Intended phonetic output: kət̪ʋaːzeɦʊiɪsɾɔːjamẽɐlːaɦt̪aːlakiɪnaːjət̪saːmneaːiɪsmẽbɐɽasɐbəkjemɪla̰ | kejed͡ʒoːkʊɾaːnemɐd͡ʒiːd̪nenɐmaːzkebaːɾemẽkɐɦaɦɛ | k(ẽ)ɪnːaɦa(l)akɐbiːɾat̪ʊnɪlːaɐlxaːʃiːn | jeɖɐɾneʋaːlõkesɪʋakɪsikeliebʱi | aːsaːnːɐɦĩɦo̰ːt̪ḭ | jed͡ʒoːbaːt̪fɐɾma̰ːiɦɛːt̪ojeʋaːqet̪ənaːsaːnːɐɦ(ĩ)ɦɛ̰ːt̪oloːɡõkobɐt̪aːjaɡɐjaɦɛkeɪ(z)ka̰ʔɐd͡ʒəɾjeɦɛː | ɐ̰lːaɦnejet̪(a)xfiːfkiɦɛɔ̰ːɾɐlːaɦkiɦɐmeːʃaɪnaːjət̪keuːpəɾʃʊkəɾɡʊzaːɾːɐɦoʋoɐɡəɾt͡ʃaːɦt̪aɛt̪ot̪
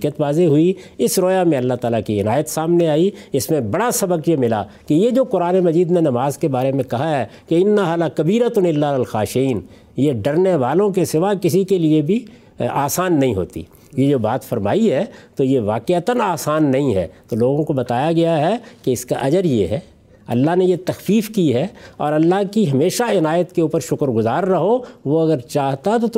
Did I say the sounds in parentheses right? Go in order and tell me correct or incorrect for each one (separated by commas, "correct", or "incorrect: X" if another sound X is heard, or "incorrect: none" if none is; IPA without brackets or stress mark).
incorrect: e, correct, correct, incorrect: s, incorrect: ɐ